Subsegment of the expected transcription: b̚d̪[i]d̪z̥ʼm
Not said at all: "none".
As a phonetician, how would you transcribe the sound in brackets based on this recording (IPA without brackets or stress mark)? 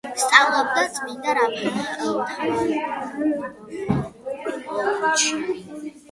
a